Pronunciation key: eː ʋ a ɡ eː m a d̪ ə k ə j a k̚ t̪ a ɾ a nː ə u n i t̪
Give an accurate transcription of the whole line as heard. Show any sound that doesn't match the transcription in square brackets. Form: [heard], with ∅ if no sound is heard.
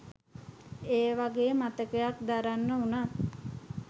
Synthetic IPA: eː ʋ a ɡ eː m a [t̪] ə k ə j a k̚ [d̪] a ɾ a nː ə u n [a] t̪